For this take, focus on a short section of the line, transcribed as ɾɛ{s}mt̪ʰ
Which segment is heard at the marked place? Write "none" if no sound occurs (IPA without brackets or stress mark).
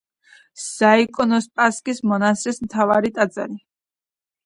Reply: s